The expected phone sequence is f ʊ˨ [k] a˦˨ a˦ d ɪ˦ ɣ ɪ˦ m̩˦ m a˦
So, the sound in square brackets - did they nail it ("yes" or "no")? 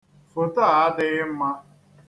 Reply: no